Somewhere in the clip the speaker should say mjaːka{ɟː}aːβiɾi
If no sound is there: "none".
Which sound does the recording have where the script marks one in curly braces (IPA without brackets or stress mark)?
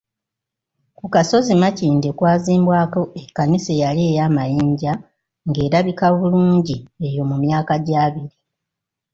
ɟ